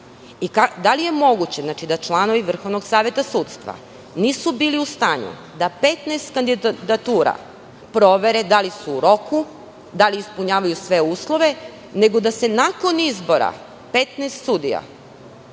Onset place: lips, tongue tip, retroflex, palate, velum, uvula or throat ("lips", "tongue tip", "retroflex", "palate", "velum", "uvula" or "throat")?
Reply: velum